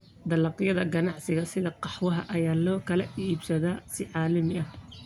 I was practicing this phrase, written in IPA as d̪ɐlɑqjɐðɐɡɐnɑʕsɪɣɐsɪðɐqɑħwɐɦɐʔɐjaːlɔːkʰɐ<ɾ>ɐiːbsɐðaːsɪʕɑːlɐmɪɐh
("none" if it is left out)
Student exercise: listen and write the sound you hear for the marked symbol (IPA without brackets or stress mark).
l